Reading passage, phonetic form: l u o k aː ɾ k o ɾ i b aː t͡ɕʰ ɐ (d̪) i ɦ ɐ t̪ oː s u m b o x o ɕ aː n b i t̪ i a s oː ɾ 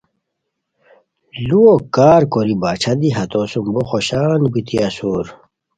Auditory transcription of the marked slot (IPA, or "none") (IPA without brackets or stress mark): d̪